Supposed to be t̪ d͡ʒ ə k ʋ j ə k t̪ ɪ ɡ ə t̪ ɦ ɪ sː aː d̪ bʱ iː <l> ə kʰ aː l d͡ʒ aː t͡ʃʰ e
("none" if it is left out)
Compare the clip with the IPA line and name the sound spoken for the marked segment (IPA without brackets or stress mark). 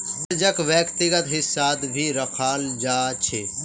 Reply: ɾ